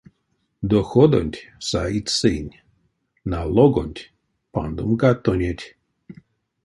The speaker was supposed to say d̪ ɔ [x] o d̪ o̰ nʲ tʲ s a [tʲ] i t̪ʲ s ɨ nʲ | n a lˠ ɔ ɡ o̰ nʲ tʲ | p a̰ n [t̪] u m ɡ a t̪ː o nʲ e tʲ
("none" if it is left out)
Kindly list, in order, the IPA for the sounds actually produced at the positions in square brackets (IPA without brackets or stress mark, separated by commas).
x, none, d̪